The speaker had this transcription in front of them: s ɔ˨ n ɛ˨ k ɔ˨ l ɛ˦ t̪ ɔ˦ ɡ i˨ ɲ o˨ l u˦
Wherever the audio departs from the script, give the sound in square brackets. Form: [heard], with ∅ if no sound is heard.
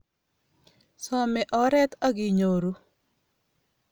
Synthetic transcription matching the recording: s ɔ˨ [m] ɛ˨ [ʔ] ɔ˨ [ɾ] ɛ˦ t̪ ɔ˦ ɡ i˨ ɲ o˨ [ɾ] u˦